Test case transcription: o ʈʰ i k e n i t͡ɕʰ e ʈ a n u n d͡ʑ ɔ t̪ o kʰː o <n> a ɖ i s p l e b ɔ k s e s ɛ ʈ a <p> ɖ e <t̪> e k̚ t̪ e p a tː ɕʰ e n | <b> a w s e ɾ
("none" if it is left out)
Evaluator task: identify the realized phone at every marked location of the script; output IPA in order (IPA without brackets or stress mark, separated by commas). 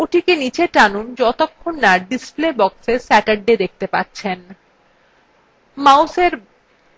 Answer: nː, none, d̪, m